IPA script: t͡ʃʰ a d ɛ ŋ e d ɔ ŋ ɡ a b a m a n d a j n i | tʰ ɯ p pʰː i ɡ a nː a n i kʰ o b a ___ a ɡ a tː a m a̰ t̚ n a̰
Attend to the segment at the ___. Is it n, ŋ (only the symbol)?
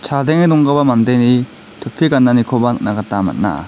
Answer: n